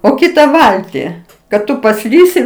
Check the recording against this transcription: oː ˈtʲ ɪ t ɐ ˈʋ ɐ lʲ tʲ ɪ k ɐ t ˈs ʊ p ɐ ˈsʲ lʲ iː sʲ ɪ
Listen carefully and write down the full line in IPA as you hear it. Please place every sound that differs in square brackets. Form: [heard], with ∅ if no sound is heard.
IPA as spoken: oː [ˈkʲ] ɪ t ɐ ˈʋ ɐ lʲ tʲ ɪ k ɐ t [ˈt] ʊ p ɐ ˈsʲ lʲ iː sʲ ɪ